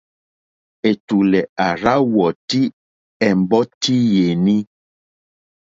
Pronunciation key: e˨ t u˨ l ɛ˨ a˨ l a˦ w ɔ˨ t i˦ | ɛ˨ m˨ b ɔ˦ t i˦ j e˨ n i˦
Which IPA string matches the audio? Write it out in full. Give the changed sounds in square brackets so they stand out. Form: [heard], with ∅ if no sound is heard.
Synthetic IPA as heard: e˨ t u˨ l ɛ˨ a˨ [ɾ] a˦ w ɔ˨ t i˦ | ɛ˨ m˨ b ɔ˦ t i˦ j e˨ n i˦